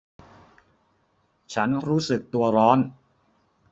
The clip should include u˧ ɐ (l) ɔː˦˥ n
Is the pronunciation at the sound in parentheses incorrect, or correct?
incorrect: ɾ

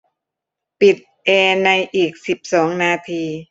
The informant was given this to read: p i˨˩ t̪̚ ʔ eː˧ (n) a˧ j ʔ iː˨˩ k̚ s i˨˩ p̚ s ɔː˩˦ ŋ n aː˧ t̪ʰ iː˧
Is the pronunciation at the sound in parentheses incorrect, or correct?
correct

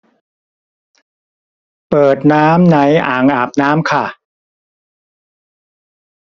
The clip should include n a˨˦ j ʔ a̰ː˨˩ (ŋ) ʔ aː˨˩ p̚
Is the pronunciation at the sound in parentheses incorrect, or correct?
correct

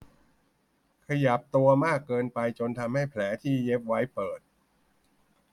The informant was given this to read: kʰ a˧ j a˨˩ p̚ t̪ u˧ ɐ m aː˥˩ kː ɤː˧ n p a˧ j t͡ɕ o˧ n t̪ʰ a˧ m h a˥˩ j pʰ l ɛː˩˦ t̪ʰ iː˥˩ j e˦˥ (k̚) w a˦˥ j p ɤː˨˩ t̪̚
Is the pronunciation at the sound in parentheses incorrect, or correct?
incorrect: p̚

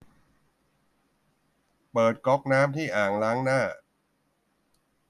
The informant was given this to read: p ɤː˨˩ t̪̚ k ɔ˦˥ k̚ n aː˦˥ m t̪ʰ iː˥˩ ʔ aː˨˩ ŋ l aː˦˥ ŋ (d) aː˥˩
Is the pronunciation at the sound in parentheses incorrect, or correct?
incorrect: n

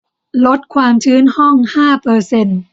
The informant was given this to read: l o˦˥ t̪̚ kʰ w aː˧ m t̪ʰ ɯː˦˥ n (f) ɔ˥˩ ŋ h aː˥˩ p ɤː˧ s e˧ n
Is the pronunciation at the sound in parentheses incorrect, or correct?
incorrect: h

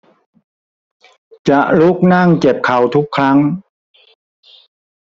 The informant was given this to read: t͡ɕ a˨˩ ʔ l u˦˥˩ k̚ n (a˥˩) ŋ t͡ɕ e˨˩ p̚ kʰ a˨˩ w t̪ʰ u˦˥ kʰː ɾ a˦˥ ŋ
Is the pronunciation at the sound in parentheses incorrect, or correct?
correct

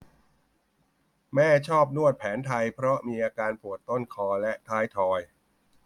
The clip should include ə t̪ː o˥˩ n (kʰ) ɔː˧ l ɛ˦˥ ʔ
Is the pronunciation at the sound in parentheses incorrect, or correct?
correct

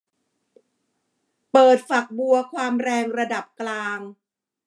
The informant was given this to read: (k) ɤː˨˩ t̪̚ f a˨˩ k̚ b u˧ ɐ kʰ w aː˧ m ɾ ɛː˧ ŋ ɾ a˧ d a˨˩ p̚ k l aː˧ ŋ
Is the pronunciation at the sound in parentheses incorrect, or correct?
incorrect: p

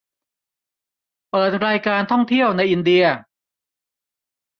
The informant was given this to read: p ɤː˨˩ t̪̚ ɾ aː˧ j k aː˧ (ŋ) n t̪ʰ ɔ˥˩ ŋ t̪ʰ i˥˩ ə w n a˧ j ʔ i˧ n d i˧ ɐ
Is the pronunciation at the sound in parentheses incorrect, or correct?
incorrect: none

